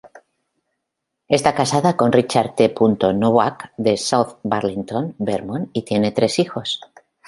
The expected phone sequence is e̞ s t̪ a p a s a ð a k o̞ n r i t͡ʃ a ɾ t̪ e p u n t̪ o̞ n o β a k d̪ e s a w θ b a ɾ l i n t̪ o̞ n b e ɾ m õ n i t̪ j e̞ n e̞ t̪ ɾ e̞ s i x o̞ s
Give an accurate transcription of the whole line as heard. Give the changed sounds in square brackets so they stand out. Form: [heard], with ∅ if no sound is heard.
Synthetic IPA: e̞ s t̪ a [k] a s a ð a k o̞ n r i t͡ʃ a ɾ t̪ e p u n t̪ o̞ n o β a k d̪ e s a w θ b a ɾ l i n t̪ o̞ n b e ɾ m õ n i t̪ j e̞ n e̞ t̪ ɾ e̞ s i x o̞ s